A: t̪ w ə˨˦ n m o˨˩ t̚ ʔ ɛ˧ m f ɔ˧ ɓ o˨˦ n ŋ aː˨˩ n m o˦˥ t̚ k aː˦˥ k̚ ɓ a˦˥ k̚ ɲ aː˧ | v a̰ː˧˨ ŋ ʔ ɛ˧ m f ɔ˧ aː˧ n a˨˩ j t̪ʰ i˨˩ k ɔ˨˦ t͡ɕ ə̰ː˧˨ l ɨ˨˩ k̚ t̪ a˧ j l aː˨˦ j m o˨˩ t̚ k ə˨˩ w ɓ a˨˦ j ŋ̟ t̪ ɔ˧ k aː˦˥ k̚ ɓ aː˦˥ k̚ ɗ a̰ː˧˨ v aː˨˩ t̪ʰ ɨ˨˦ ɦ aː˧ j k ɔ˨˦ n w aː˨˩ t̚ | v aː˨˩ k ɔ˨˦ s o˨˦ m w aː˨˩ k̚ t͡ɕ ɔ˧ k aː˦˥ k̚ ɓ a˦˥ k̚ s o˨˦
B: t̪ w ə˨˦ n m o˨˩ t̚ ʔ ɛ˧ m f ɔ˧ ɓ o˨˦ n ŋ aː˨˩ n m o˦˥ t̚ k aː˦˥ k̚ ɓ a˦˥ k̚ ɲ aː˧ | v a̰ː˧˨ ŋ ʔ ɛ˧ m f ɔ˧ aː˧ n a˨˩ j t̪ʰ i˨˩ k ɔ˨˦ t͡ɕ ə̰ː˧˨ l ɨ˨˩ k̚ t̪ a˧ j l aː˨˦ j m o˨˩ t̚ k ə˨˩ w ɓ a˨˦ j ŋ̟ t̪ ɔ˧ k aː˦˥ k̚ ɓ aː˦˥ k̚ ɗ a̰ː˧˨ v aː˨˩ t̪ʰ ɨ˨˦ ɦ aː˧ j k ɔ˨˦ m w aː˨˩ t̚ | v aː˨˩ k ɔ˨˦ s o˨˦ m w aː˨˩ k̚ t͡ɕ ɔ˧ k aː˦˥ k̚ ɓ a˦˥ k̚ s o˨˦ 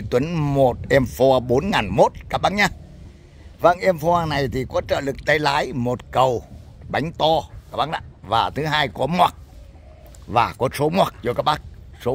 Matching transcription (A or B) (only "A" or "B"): B